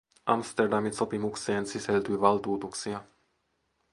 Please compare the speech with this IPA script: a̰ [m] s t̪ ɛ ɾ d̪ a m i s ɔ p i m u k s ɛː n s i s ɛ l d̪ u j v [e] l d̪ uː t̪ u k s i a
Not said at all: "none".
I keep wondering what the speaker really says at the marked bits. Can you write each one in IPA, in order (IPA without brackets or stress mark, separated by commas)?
m, a